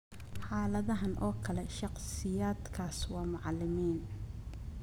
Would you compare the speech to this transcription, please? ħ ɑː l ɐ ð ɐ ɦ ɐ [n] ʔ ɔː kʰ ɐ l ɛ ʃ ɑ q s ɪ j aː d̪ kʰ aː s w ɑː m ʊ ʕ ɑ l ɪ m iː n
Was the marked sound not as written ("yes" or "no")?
no